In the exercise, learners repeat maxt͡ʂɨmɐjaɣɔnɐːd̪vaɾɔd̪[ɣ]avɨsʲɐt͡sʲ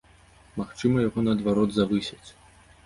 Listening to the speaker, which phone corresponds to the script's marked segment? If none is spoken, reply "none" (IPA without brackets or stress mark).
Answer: z